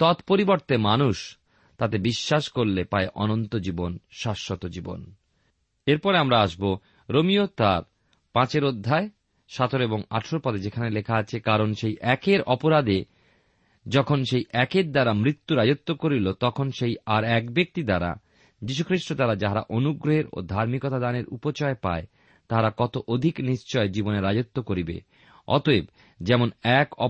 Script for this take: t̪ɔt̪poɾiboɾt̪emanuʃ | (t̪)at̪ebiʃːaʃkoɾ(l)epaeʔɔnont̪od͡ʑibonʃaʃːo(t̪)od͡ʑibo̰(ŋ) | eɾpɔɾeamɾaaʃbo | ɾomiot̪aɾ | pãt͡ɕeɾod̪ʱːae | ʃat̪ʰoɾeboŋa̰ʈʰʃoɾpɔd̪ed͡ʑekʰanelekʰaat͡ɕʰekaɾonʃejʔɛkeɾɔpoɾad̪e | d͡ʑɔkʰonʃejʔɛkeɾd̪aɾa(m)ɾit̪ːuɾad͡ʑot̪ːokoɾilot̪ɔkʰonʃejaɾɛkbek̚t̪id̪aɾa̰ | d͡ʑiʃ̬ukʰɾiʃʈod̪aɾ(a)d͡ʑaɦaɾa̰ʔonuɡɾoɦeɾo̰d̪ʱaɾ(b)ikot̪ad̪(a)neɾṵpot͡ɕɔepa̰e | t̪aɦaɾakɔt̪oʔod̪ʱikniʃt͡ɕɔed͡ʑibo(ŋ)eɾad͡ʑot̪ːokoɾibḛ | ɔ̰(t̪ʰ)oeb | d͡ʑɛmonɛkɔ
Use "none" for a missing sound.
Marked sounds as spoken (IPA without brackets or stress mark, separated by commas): t̪, l, t̪, n, m, a, m, a, n, t̪